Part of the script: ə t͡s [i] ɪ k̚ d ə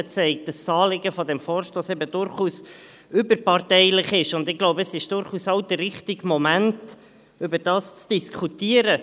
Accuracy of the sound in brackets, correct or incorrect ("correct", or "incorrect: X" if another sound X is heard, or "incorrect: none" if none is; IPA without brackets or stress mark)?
incorrect: ɛ